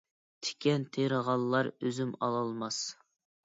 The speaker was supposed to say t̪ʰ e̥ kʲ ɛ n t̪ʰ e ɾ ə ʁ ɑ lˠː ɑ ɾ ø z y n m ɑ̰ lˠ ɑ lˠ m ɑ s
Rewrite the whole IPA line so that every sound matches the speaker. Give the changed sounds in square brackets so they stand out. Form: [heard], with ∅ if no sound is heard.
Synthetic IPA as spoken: t̪ʰ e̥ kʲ ɛ n t̪ʰ e ɾ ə ʁ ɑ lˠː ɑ ɾ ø z y [∅] m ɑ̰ lˠ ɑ lˠ m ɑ s

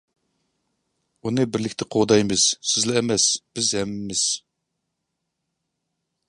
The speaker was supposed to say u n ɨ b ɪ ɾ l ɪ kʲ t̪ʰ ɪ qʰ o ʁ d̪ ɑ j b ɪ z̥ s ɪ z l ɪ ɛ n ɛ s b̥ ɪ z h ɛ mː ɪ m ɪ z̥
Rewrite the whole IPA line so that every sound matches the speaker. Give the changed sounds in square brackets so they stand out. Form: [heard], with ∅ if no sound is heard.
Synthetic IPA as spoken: u n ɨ b ɪ ɾ l ɪ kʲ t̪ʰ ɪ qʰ o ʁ d̪ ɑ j [m] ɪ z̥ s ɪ z l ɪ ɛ [m] ɛ s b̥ ɪ z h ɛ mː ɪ m ɪ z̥

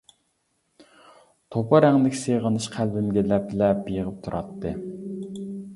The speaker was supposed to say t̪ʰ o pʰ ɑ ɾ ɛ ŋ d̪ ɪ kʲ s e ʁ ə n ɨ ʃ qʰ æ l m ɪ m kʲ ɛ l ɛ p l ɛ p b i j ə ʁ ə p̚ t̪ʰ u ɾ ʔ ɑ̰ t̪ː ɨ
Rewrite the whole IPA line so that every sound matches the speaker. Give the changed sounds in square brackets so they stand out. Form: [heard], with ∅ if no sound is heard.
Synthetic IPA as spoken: t̪ʰ o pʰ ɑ ɾ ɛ ŋ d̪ ɪ kʲ s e ʁ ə n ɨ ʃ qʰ æ l [b] ɪ m [ɡʲ] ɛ l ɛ p l ɛ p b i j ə ʁ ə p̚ t̪ʰ u ɾ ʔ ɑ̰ t̪ː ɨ

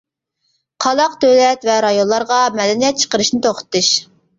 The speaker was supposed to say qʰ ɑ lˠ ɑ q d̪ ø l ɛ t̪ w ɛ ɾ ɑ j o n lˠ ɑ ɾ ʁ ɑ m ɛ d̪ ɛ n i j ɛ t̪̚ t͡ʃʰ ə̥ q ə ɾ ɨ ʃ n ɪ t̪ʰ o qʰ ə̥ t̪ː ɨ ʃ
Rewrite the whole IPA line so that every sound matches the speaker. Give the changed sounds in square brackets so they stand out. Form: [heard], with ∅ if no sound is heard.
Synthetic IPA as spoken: qʰ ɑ lˠ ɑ q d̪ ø l ɛ t̪ [v] ɛ ɾ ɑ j o n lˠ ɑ ɾ ʁ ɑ m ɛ d̪ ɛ n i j ɛ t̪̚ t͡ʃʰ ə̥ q ə ɾ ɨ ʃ n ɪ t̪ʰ o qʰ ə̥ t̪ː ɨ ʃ

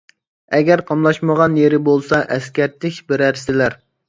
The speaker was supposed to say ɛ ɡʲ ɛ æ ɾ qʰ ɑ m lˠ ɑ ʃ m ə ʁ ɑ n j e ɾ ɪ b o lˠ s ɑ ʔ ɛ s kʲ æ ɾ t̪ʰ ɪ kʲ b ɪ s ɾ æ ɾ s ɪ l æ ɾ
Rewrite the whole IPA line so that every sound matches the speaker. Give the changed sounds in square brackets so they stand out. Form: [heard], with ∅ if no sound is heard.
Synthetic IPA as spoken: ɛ ɡʲ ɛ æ ɾ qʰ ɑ m lˠ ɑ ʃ m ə ʁ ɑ n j e ɾ ɪ b o lˠ s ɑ ʔ ɛ s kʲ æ ɾ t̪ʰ ɪ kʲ b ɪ [∅] ɾ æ ɾ s ɪ l æ ɾ

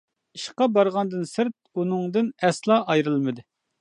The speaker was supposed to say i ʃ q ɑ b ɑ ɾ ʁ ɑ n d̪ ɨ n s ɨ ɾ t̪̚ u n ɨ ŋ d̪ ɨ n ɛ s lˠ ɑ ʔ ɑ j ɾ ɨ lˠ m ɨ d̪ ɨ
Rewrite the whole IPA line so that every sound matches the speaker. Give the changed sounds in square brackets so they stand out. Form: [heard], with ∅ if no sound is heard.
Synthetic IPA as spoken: i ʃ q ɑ b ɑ ɾ ʁ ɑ n d̪ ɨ n s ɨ ɾ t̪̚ u n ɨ ŋ d̪ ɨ n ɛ s lˠ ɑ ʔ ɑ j ɾ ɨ lˠ m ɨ d̪ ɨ

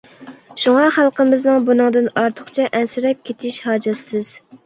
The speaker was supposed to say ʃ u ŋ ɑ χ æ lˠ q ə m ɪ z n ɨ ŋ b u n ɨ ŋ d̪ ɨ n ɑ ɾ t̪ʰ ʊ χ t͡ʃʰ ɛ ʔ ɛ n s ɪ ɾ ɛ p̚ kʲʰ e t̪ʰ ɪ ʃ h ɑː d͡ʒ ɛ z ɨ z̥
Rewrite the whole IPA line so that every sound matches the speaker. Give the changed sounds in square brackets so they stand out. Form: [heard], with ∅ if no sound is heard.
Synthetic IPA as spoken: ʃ u ŋ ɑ χ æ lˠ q ə m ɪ z n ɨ ŋ b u n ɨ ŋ d̪ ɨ n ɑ ɾ t̪ʰ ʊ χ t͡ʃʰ ɛ ʔ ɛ n s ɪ ɾ ɛ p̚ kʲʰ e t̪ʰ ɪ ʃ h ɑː d͡ʒ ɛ [s] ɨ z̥

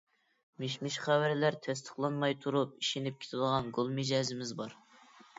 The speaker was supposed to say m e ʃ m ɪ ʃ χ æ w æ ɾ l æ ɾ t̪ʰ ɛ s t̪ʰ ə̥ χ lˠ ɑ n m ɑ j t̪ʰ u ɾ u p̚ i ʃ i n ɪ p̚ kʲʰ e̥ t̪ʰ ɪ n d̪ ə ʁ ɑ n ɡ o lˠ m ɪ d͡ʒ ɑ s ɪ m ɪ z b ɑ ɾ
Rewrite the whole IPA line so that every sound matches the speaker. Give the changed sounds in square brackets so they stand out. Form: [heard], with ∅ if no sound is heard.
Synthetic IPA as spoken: m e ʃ m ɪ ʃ χ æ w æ ɾ l æ ɾ t̪ʰ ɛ s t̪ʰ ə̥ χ lˠ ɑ n m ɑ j t̪ʰ u ɾ u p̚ i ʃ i n ɪ p̚ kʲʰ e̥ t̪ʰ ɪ [∅] d̪ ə ʁ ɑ n ɡ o lˠ m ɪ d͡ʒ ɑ [z] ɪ m ɪ z b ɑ ɾ

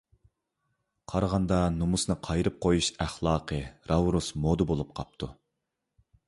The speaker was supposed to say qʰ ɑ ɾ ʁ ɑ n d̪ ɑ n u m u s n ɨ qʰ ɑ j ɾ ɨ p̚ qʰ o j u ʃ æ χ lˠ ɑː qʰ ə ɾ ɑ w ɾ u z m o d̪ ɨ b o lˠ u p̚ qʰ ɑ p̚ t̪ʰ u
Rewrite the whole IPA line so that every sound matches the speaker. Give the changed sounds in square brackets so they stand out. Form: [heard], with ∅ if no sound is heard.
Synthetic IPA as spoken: qʰ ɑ ɾ ʁ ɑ n d̪ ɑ n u m u s n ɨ qʰ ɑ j ɾ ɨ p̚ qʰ o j u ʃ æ χ lˠ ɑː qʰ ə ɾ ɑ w ɾ u [s] m o d̪ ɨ b o lˠ u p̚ qʰ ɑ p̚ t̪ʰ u

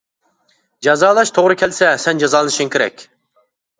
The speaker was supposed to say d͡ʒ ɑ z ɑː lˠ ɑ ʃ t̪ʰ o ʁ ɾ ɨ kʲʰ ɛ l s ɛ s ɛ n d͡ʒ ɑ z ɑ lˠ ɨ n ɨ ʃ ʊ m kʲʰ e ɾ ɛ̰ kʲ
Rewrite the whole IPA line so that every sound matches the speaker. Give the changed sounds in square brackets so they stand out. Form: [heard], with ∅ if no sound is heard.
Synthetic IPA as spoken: d͡ʒ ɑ z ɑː lˠ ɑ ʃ t̪ʰ o ʁ ɾ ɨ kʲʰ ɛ l s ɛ s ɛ n d͡ʒ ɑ z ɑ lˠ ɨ n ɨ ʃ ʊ [ŋ] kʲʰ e ɾ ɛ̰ kʲ

